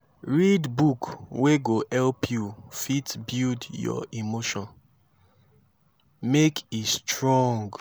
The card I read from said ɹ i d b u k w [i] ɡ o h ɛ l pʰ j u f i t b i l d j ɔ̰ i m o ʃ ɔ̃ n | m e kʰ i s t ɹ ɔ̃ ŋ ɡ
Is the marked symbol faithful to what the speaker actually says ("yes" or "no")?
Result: no